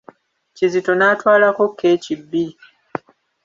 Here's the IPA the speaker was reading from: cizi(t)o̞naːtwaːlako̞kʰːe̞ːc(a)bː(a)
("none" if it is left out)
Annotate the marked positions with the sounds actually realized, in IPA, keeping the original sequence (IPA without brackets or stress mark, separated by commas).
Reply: t, i, i